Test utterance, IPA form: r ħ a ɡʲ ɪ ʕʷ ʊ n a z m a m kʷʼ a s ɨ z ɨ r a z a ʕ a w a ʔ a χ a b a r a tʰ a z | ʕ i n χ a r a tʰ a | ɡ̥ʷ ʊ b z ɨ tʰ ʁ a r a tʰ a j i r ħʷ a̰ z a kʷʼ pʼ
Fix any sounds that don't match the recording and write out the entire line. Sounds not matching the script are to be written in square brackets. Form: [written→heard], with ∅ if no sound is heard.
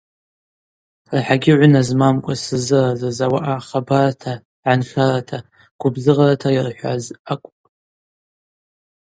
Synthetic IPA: r ħ a ɡʲ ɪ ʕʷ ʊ n a z m a m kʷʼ a s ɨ z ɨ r a z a [ʕ→z] a w a ʔ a χ a b a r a tʰ a [z→∅] | ʕ [i→a] n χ a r a tʰ a | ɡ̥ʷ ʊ b z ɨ [tʰ→∅] ʁ a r a tʰ a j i r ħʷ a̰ z a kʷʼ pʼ